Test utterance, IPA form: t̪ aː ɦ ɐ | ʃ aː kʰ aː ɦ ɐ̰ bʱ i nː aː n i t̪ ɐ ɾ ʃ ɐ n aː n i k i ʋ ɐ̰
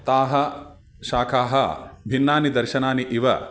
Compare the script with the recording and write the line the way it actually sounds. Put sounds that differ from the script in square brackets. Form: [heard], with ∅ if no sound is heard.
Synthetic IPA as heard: t̪ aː ɦ ɐ | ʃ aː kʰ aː ɦ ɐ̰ bʱ i nː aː n i [d̪] ɐ ɾ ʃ ɐ n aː n i [ʔ] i ʋ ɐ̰